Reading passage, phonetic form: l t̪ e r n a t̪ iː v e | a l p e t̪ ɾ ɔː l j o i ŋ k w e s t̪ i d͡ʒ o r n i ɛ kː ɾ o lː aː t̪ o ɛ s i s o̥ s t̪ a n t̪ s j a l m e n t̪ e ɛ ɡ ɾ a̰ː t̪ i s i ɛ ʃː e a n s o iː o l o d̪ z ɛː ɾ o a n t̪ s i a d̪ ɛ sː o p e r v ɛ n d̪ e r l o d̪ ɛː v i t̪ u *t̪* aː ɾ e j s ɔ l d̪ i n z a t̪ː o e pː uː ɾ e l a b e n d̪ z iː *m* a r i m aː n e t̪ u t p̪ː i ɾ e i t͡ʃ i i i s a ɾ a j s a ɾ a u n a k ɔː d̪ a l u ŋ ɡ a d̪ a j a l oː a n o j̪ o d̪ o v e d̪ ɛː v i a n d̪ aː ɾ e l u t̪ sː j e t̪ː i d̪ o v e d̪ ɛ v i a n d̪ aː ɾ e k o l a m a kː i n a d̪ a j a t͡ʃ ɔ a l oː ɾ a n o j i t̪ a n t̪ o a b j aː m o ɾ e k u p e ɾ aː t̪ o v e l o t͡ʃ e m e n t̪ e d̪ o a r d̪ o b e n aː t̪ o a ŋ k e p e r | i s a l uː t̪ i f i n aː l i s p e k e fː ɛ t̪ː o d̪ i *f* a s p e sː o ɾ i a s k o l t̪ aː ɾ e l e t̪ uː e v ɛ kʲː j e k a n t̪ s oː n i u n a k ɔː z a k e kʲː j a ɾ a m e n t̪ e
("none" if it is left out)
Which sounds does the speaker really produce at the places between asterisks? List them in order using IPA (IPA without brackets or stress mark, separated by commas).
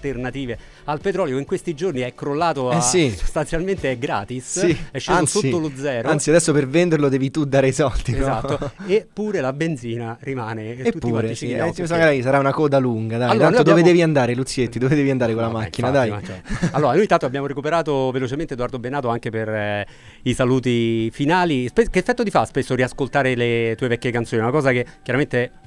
d̪, n, f